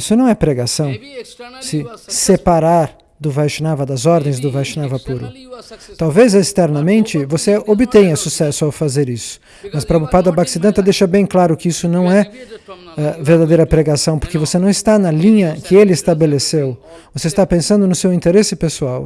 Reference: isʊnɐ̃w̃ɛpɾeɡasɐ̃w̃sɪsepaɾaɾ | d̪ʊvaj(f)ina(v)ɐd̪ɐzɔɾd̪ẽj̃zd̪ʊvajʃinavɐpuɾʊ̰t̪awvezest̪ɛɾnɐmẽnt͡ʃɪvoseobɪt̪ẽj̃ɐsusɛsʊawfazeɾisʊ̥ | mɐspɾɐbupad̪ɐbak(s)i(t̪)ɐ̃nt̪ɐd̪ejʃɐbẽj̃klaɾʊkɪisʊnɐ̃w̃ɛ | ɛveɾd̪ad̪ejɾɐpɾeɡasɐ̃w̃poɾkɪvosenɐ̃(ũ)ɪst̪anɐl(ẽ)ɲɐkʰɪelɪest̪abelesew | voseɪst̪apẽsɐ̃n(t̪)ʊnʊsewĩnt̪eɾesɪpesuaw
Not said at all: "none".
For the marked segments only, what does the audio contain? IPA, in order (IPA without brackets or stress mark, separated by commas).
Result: ʃ, v, s, d̪, w̃, ĩ, d̪